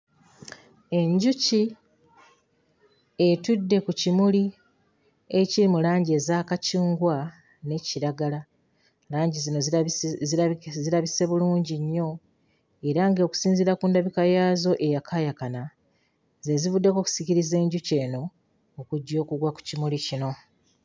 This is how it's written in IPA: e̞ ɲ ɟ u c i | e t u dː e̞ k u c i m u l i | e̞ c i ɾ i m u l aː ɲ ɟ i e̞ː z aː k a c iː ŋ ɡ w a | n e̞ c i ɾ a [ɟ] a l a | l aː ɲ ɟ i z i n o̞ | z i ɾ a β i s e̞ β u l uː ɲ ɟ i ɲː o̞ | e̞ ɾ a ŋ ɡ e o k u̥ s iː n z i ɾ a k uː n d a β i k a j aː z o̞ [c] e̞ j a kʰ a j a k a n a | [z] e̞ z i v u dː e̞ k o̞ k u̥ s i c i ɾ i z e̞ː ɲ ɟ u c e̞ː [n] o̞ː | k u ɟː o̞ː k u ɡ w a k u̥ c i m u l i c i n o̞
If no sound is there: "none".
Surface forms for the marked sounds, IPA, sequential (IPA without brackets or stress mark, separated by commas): ɡ, ʔ, z, n